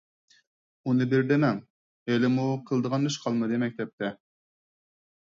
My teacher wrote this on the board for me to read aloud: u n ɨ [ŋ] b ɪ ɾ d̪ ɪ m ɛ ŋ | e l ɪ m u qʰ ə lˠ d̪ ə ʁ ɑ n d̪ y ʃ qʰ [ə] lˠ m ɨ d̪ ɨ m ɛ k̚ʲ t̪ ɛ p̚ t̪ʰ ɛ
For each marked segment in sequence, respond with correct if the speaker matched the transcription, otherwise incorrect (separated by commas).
incorrect, incorrect